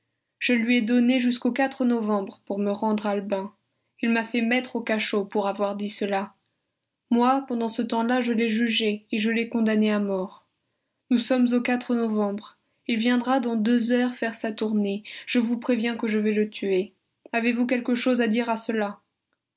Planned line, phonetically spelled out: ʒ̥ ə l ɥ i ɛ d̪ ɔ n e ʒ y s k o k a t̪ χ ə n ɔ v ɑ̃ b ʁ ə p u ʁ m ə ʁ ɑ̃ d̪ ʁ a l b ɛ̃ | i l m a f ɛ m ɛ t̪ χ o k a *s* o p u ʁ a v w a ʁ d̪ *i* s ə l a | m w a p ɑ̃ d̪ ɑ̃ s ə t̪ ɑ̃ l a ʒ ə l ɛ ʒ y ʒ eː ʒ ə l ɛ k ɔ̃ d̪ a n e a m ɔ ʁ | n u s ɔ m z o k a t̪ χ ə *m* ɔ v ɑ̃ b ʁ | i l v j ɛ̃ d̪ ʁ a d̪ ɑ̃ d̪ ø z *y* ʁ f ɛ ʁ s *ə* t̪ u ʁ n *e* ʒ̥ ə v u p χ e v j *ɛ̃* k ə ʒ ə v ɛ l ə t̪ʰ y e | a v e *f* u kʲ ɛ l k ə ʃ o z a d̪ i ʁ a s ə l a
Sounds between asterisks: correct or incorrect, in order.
incorrect: ʃ, correct, incorrect: n, incorrect: œ, incorrect: a, correct, correct, incorrect: v

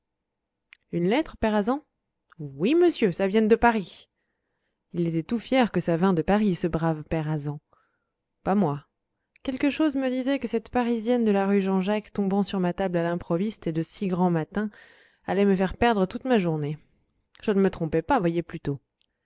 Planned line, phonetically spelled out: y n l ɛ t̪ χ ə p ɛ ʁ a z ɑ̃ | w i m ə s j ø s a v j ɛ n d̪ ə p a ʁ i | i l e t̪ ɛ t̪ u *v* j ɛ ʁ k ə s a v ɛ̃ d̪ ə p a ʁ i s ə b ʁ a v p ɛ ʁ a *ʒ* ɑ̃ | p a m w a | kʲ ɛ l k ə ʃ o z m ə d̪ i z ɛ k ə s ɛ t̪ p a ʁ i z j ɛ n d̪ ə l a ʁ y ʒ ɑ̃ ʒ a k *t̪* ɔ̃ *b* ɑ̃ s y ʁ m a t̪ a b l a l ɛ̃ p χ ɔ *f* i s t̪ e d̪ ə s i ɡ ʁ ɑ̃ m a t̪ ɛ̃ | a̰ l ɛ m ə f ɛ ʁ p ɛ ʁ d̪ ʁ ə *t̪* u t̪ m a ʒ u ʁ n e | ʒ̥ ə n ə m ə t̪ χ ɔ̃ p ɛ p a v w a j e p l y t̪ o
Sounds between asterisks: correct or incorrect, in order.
incorrect: f, incorrect: z, correct, correct, incorrect: v, correct

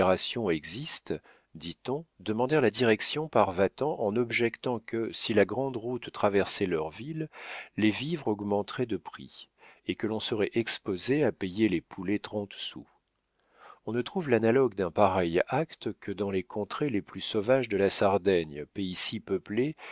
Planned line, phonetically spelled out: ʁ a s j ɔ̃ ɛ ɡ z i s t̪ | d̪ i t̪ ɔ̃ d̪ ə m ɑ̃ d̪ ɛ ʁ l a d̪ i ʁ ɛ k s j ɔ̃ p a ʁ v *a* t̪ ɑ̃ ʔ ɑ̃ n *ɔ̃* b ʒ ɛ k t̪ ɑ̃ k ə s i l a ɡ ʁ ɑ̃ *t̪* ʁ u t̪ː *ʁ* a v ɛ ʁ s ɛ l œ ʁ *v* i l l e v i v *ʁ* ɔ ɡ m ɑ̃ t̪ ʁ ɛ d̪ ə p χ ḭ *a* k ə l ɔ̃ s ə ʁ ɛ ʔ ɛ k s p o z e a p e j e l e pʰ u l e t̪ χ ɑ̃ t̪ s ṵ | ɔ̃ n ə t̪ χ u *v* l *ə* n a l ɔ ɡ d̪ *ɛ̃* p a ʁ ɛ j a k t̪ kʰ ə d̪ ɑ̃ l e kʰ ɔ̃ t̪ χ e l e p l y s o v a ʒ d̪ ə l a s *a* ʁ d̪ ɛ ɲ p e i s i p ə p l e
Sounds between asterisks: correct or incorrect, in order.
correct, incorrect: ɔ, incorrect: d̪, incorrect: χ, correct, correct, incorrect: e, correct, incorrect: a, correct, correct

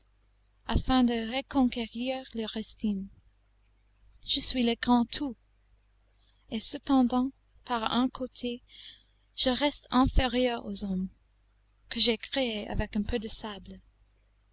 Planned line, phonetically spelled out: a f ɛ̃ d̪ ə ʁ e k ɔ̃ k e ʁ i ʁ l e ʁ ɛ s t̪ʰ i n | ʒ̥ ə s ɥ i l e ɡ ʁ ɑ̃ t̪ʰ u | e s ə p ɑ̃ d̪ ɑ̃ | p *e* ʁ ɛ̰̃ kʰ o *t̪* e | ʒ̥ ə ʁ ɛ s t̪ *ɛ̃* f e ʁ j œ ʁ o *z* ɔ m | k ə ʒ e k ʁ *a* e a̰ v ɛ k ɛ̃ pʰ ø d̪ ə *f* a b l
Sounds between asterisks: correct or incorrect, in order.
incorrect: a, incorrect: t̪ʰ, correct, correct, incorrect: e, incorrect: s

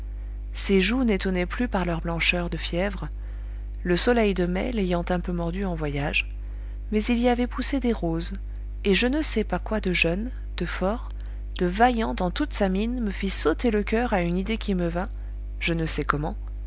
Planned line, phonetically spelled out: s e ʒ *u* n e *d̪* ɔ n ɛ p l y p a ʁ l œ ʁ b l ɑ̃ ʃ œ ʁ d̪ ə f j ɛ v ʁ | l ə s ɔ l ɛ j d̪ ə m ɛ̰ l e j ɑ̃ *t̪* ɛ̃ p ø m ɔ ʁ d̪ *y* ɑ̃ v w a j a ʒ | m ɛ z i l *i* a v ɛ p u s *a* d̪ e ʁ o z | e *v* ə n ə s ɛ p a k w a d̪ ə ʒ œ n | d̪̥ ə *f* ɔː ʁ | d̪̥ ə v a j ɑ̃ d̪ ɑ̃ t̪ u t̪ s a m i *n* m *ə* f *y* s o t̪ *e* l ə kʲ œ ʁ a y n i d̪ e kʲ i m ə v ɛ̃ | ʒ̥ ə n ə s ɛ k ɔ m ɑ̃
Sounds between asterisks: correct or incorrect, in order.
correct, incorrect: t̪, correct, correct, correct, incorrect: e, incorrect: ʒ, correct, correct, correct, incorrect: i, correct

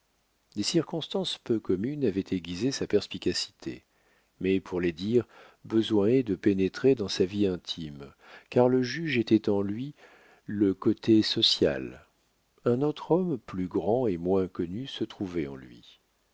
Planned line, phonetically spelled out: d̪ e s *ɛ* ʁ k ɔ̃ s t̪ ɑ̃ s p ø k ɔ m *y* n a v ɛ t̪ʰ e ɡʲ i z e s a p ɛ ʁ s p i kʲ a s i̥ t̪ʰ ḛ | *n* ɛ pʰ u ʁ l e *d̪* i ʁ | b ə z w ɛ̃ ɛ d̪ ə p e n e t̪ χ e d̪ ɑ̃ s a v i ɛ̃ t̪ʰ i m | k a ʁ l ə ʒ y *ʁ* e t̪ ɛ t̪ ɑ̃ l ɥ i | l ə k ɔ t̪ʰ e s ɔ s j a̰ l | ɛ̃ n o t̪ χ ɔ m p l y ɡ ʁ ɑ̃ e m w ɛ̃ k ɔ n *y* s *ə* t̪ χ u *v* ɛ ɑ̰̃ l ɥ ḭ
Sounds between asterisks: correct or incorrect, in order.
incorrect: i, correct, incorrect: m, correct, incorrect: ʒ, correct, correct, correct

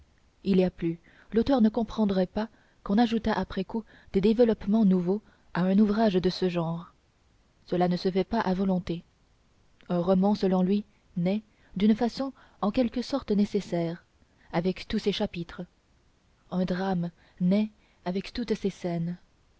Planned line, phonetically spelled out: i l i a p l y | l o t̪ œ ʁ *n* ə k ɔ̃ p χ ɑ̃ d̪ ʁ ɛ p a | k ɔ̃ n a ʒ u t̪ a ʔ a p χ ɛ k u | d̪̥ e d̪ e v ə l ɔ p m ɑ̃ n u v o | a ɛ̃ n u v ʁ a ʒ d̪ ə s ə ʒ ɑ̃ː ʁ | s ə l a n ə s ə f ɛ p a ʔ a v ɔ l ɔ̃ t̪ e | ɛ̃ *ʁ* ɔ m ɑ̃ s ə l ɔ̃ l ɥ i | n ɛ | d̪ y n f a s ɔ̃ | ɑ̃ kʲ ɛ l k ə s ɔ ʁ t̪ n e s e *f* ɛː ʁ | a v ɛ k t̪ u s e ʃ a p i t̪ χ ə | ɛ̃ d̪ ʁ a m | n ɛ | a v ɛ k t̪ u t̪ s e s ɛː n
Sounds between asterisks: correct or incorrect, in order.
correct, correct, incorrect: s

